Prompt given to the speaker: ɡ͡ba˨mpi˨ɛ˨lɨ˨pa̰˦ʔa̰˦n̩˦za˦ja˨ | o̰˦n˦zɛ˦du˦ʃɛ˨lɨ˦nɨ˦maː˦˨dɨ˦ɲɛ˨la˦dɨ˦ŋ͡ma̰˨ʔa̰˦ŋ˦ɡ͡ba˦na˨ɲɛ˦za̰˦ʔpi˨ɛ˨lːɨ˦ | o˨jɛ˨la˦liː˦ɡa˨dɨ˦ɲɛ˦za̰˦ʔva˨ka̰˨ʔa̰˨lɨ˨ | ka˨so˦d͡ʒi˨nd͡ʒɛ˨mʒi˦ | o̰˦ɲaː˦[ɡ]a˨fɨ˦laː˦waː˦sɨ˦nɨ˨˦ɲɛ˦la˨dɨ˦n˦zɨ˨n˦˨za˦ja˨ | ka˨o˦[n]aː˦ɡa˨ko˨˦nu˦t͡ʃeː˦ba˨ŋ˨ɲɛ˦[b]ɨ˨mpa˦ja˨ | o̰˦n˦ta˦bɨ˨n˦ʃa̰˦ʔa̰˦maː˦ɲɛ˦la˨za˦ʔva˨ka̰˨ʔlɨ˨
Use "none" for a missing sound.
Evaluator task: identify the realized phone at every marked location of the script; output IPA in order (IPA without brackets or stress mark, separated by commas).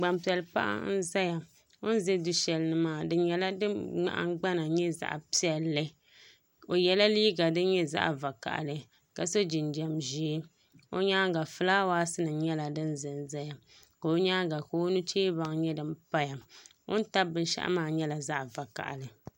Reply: ɡ, ɲ, d